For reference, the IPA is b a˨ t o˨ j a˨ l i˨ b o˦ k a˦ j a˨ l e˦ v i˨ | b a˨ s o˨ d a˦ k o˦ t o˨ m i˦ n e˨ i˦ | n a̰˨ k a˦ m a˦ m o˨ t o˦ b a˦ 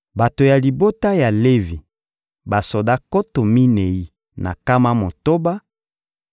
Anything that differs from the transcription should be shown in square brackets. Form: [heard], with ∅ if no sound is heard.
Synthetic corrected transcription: b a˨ t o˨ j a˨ l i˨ b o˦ [t] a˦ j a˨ l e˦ v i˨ | b a˨ s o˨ d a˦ k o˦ t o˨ m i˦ n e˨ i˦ | n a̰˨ k a˦ m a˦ m o˨ t o˦ b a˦